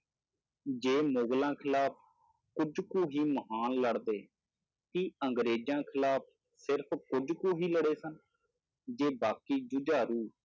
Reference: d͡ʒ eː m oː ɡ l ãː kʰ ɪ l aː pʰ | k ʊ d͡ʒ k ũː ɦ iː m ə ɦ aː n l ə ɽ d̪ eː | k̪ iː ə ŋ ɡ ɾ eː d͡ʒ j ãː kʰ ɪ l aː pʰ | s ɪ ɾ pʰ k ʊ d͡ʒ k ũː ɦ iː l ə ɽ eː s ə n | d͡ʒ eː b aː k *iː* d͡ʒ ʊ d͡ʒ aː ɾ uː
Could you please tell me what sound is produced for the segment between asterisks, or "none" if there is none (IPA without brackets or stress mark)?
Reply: iː